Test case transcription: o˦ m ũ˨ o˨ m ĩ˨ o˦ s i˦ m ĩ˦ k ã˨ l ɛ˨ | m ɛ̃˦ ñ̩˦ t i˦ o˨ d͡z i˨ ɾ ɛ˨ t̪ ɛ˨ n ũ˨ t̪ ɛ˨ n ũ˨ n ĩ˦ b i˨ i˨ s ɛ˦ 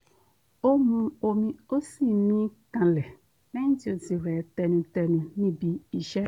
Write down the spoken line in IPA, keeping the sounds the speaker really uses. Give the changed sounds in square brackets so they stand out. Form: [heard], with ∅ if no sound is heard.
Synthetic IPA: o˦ m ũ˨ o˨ m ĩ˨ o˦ s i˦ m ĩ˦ k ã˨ l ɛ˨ | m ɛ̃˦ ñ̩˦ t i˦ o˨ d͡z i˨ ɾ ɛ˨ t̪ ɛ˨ n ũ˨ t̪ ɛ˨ n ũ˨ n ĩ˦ b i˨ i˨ [ʃ] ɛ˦